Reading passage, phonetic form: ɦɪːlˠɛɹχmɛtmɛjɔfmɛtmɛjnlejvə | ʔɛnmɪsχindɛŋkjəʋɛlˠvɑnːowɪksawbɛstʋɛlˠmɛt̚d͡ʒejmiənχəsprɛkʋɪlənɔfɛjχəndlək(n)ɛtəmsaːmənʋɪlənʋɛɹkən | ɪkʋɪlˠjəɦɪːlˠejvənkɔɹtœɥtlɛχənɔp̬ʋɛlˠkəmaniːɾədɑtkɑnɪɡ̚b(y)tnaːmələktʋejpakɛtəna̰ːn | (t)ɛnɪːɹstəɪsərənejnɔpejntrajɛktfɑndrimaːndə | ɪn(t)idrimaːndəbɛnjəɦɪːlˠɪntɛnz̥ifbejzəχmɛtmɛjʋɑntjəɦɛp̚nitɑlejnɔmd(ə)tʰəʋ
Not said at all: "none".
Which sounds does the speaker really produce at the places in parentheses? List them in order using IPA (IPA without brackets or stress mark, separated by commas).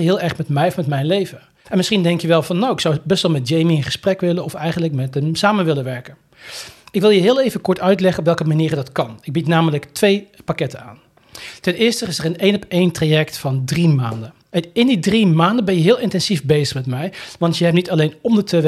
m, i, t, d, ə